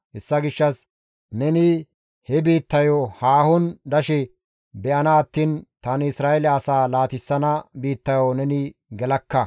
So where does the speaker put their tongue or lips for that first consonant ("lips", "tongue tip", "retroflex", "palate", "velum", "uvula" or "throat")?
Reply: throat